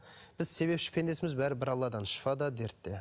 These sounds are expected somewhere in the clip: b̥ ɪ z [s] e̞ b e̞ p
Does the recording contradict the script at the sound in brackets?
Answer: no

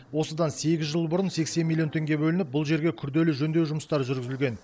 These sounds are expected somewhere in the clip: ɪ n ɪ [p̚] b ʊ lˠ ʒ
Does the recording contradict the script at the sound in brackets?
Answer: no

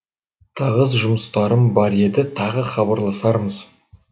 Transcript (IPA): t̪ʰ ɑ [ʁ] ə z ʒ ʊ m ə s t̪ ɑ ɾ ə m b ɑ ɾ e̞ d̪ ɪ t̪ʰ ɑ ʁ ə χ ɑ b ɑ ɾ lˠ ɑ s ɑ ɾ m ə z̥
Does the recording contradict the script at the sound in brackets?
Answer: no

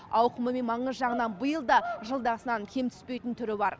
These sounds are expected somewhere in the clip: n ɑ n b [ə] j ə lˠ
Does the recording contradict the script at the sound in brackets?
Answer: no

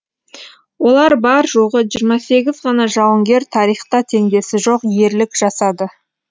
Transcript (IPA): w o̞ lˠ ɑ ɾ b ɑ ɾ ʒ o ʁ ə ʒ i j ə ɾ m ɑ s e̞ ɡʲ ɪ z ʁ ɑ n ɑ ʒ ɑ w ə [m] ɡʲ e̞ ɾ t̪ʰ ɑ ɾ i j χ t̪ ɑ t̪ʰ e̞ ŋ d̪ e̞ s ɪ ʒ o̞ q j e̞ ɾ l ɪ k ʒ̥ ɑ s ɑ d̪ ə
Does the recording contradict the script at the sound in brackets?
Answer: yes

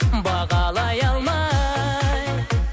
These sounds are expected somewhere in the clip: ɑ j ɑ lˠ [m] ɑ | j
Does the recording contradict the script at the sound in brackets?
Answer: no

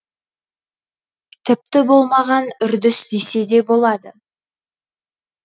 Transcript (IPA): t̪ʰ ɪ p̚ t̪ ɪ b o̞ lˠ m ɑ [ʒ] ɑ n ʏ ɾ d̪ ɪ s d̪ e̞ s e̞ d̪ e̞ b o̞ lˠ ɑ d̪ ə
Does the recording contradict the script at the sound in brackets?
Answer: yes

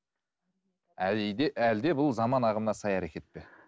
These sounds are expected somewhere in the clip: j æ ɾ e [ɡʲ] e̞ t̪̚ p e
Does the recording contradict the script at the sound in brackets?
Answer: yes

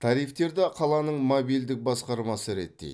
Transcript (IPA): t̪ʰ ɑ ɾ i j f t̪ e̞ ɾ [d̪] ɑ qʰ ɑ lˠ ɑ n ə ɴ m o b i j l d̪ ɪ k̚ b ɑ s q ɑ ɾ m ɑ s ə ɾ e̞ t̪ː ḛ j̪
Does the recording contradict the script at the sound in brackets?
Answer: no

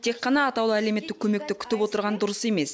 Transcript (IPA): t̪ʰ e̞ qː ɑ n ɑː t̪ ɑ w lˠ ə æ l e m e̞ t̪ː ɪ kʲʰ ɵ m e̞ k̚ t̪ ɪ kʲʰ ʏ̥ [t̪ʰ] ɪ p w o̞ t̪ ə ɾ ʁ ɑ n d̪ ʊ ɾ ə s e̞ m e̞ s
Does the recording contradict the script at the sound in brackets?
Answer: yes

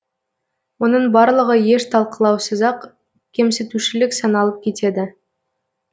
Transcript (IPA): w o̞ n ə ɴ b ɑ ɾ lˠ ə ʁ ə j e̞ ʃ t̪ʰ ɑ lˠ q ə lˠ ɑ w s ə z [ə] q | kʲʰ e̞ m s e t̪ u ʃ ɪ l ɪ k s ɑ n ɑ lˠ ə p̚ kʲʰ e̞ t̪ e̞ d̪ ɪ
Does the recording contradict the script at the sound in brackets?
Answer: yes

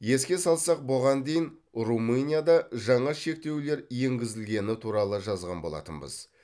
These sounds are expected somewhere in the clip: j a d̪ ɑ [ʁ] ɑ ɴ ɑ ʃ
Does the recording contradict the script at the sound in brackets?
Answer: yes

